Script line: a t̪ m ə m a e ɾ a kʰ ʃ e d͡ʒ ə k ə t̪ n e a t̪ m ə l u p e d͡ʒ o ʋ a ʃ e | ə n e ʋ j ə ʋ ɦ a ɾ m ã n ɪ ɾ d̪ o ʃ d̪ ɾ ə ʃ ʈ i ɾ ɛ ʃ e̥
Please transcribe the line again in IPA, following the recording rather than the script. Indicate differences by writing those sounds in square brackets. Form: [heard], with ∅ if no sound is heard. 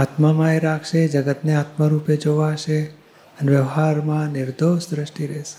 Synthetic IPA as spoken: a t̪ m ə m a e ɾ a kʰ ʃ e d͡ʒ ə [ɡ] ə t̪ n e a t̪ m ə [ɾ] u p e d͡ʒ o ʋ a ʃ e | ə n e ʋ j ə ʋ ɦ a ɾ m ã n ɪ ɾ d̪ o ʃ d̪ ɾ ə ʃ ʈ i ɾ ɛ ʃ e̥